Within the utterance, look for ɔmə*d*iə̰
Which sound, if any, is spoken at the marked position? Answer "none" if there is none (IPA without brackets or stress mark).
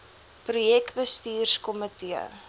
t